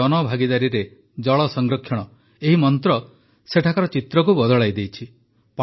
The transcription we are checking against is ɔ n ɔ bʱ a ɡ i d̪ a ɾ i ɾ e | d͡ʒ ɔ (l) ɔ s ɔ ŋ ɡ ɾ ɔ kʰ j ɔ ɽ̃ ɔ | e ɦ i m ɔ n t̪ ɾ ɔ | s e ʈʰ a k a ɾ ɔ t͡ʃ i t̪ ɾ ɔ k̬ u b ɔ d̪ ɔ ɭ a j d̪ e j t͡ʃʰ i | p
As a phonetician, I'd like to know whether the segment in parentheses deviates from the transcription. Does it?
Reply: yes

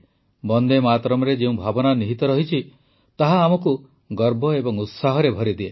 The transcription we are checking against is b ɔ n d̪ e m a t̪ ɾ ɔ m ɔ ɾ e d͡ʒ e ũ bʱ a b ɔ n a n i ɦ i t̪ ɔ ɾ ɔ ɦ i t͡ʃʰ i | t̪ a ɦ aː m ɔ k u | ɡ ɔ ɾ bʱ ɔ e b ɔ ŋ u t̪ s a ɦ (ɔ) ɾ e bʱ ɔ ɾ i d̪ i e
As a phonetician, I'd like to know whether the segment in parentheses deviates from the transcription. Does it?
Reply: no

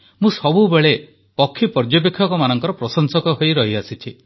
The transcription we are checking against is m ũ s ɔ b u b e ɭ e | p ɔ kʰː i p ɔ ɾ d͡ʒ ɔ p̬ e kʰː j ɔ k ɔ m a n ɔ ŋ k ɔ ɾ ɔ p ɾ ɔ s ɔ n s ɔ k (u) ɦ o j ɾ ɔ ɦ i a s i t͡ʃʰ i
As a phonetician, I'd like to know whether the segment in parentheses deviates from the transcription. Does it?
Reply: yes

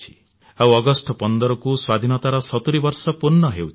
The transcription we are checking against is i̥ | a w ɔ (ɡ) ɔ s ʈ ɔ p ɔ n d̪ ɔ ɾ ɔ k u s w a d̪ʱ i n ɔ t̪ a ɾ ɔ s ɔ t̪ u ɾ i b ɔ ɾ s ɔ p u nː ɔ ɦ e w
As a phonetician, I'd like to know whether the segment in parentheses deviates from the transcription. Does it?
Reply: no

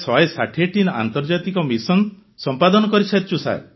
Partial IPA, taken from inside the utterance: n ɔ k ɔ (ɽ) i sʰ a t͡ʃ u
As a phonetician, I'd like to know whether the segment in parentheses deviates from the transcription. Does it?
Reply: yes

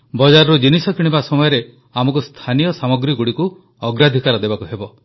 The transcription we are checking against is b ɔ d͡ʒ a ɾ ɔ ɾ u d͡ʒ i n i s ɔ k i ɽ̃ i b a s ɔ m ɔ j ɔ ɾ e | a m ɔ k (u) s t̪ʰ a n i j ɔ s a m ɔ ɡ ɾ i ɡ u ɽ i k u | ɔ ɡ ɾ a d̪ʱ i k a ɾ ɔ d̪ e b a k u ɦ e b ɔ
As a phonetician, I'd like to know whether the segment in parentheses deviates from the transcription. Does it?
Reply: no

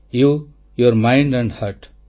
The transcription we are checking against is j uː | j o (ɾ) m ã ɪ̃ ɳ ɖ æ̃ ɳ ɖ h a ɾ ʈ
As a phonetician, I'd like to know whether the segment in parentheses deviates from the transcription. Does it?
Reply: no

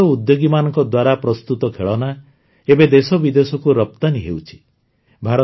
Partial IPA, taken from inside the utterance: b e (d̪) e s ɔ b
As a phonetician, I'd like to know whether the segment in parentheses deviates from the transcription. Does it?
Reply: no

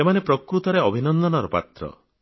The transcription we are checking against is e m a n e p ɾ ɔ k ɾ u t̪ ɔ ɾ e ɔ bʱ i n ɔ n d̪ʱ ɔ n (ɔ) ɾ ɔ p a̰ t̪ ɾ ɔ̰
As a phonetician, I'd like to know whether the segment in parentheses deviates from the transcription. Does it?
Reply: no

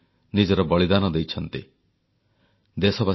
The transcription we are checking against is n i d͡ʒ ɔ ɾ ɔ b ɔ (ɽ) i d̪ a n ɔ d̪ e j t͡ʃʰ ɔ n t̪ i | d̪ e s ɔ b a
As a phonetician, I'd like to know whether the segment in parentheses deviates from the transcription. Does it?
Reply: yes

